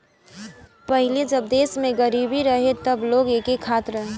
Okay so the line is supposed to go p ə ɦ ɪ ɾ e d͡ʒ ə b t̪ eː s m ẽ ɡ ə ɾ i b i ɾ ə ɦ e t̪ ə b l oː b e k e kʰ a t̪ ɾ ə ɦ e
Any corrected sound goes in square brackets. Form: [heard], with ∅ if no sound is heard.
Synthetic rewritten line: p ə ɦ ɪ [l] e d͡ʒ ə b [d̪] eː s m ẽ ɡ ə ɾ i b i ɾ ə ɦ e t̪ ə b l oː [ɡ] e k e kʰ a t̪ ɾ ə ɦ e